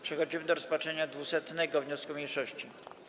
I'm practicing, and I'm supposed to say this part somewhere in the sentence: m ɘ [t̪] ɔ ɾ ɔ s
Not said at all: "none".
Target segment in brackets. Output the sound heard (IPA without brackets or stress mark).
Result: d̪